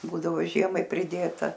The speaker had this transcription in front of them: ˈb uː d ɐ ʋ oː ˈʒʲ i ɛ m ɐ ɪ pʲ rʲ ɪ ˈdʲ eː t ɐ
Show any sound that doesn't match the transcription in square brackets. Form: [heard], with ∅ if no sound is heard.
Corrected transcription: ˈb uː d ɐ ʋ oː ˈʒʲ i ɛ m ɐ ɪ pʲ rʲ ɪ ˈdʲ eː t ɐ

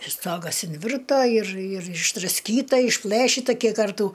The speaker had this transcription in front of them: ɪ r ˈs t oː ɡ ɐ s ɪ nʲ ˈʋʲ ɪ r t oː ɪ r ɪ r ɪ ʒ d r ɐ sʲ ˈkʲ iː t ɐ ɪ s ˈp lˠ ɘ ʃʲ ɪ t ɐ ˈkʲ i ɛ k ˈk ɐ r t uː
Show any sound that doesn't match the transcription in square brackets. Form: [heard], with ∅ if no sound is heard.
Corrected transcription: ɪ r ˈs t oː ɡ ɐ s ɪ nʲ ˈʋʲ ɪ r t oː ɪ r ɪ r ɪ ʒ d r ɐ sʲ ˈkʲ iː t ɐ ɪ [ʃ] ˈp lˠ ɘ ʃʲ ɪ t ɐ ˈkʲ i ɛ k ˈk ɐ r t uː

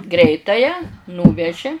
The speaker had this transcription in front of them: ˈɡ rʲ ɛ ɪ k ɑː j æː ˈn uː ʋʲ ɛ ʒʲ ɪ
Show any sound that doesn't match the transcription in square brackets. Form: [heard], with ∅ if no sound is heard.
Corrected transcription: ˈɡ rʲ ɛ ɪ [t] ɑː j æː ˈn uː ʋʲ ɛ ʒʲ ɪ

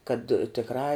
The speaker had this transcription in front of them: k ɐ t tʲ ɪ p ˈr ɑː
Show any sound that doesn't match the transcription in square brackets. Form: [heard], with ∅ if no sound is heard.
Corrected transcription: k ɐ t tʲ ɪ [k] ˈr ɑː

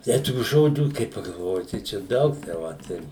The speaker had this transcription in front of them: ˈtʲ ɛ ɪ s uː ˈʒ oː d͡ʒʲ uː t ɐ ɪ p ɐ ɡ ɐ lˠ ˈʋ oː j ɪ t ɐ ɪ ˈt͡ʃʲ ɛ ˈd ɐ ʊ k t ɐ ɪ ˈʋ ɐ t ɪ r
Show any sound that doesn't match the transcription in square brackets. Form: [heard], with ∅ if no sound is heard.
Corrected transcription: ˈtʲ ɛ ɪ [t] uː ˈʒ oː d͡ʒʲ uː [k] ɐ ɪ p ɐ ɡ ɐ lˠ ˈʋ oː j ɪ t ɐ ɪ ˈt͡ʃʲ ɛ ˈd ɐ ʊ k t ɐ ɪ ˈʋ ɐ t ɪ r

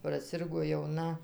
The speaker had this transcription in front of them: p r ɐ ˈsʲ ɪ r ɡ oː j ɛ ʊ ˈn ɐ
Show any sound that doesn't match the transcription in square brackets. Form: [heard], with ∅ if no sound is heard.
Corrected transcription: p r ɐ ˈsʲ ɪ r ɡ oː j ɛ ʊ ˈn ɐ

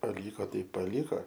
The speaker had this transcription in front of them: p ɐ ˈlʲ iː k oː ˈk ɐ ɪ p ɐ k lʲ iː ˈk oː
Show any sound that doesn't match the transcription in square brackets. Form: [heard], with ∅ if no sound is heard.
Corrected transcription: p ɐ ˈlʲ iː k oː [ˈt] ɐ ɪ p ɐ [∅] lʲ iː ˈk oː

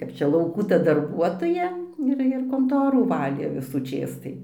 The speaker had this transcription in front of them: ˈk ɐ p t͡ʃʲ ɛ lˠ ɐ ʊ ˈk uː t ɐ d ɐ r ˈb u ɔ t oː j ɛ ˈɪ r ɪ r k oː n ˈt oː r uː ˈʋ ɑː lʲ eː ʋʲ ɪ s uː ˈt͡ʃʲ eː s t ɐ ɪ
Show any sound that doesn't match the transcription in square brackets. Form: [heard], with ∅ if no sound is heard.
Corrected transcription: ˈk ɐ p t͡ʃʲ ɛ lˠ ɐ ʊ ˈk uː t ɐ d ɐ r ˈb u ɔ t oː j ɛ ˈɪ r ɪ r k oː n ˈt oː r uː ˈʋ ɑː lʲ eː ʋʲ ɪ s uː ˈt͡ʃʲ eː s t ɐ ɪ

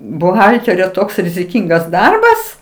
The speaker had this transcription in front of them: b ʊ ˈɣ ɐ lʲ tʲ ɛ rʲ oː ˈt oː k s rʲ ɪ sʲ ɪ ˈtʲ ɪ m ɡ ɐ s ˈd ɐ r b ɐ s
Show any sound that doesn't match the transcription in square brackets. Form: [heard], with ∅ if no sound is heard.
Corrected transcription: b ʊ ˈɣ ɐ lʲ tʲ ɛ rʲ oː ˈt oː k s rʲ ɪ [zʲ] ɪ [ˈkʲ] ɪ [ŋ] ɡ ɐ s ˈd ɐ r b ɐ s

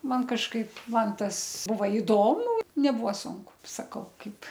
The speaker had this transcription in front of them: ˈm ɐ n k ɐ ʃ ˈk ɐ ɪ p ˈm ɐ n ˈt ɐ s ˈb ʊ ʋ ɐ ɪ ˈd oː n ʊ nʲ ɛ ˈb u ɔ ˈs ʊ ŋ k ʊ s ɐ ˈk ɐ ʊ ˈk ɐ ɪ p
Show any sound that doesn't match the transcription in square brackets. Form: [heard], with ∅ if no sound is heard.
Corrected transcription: ˈm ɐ n k ɐ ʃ ˈk ɐ ɪ p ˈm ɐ n ˈt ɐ s ˈb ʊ ʋ ɐ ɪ ˈd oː [m] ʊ nʲ ɛ ˈb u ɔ ˈs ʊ ŋ k ʊ s ɐ ˈk ɐ ʊ ˈk ɐ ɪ p

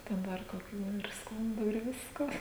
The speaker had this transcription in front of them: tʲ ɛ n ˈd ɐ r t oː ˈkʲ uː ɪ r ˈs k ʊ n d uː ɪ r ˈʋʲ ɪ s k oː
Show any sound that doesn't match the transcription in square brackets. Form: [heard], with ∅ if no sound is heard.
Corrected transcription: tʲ ɛ n ˈd ɐ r [k] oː ˈkʲ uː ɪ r ˈs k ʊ n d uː ɪ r ˈʋʲ ɪ s k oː

